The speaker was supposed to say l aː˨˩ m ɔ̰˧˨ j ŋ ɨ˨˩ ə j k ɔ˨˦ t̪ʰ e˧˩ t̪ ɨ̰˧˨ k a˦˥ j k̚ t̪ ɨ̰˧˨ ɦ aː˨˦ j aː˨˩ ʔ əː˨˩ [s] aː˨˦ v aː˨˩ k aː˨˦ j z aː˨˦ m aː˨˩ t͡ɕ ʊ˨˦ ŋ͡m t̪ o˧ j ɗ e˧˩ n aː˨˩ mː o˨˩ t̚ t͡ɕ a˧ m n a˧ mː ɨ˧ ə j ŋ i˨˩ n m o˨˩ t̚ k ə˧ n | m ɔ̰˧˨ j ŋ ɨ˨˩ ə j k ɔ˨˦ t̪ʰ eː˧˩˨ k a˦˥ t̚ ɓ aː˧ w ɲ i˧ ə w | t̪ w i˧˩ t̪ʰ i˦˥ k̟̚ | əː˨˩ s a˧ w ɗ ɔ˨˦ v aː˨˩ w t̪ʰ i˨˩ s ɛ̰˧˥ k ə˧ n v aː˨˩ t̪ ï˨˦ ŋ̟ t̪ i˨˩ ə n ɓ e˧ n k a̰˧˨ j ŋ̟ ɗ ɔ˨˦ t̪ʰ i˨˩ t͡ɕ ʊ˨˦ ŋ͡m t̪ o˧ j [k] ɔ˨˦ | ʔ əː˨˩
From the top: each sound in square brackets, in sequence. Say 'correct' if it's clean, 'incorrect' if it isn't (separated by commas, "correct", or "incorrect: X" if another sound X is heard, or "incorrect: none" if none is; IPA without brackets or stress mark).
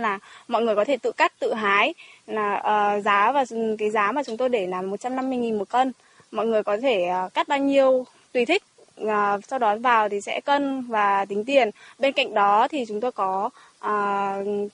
incorrect: z, correct